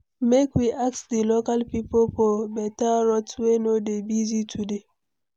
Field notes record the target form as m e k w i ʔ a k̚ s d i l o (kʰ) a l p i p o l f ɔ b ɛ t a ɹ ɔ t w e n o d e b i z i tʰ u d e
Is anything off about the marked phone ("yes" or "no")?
yes